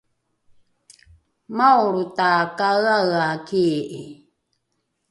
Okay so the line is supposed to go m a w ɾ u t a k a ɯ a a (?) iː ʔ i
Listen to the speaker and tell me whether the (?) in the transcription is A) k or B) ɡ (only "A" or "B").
A